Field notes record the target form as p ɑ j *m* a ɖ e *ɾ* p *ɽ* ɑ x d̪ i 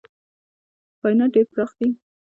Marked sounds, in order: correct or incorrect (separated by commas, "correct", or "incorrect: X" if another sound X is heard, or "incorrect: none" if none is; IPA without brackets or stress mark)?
incorrect: n, correct, incorrect: ɾ